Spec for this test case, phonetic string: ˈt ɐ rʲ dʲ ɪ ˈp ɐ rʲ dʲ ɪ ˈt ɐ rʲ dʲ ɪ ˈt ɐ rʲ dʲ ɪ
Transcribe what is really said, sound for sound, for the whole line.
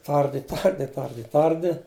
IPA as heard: ˈt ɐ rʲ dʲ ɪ ˈt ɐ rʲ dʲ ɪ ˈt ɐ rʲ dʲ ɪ ˈt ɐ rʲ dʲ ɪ